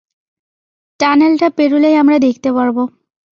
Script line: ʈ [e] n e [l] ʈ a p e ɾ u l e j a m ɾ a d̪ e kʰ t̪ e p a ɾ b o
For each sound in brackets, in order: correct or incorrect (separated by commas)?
incorrect, correct